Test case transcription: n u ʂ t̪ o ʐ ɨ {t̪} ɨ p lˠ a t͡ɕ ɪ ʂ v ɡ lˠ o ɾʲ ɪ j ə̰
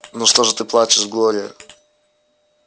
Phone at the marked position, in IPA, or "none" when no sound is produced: t̪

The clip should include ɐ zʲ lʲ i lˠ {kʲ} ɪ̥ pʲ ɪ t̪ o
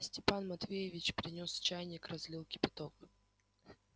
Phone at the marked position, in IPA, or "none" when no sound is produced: kʲ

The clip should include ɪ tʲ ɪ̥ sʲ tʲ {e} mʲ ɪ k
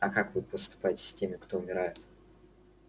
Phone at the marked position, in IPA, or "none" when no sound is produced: e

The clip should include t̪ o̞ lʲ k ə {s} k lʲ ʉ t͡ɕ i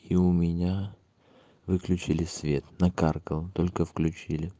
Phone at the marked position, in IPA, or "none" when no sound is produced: f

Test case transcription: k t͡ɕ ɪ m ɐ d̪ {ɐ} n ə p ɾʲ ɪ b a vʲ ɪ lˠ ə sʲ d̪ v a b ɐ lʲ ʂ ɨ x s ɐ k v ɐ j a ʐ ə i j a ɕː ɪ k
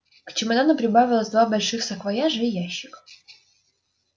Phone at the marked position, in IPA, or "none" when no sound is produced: a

